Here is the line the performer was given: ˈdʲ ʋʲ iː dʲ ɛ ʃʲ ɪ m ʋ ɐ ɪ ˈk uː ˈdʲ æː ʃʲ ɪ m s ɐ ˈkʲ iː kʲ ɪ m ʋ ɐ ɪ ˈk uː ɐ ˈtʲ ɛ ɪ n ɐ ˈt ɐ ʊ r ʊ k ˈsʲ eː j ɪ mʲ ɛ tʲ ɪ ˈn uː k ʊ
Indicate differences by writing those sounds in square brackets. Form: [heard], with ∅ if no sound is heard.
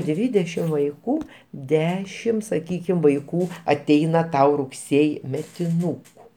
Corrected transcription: ˈdʲ ʋʲ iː dʲ ɛ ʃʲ ɪ m ʋ ɐ ɪ ˈk uː ˈdʲ æː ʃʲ ɪ m s ɐ ˈkʲ iː kʲ ɪ m ʋ ɐ ɪ ˈk uː ɐ ˈtʲ ɛ ɪ n ɐ ˈt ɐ ʊ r ʊ k ˈsʲ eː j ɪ mʲ ɛ tʲ ɪ ˈn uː k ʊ